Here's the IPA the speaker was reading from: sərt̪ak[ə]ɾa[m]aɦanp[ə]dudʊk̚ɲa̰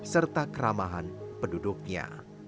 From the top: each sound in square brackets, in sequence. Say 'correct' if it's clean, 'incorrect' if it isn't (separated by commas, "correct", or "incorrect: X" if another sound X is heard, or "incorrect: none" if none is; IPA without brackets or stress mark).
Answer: correct, correct, correct